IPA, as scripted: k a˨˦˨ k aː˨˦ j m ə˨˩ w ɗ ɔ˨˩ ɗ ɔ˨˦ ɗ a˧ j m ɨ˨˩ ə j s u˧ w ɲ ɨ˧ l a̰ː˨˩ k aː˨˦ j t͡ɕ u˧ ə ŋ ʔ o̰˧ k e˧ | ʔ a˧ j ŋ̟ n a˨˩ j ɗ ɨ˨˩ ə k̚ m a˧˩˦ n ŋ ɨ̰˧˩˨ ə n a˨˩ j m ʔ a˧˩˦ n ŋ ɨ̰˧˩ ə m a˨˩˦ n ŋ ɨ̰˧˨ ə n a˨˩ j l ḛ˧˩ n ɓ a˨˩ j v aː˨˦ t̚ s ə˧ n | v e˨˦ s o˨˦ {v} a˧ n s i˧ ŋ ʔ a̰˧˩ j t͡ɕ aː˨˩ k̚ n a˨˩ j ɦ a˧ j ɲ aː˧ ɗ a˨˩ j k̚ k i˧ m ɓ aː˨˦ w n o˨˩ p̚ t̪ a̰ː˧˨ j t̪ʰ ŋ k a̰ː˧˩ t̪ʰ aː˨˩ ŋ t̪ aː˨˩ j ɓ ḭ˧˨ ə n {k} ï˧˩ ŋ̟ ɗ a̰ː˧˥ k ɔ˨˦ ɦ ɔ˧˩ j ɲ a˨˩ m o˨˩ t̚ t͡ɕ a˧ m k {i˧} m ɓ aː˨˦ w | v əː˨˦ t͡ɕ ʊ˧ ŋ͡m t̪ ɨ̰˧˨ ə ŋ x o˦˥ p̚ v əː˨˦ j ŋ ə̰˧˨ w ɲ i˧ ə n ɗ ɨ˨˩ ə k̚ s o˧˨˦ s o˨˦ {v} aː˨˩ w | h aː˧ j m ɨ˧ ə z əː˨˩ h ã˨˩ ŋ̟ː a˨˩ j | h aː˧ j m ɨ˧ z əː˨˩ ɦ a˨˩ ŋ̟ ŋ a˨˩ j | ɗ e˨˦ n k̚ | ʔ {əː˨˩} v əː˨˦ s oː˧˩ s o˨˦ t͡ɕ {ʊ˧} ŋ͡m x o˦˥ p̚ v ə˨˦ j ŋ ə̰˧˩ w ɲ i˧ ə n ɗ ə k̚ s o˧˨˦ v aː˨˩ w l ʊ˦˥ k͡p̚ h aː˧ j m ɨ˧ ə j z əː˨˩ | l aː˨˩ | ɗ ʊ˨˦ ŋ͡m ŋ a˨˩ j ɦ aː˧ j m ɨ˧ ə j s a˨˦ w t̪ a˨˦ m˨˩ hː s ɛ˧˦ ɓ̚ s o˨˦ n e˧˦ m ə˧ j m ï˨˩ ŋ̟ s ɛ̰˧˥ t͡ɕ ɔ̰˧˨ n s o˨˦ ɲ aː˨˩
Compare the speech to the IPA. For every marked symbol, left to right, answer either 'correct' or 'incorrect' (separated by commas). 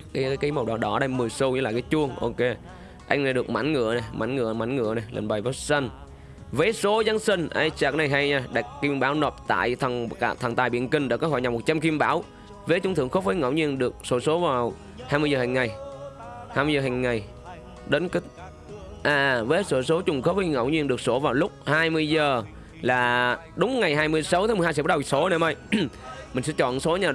incorrect, correct, correct, correct, incorrect, incorrect